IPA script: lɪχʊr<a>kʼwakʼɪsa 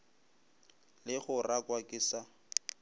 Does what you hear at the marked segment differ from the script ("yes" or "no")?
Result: no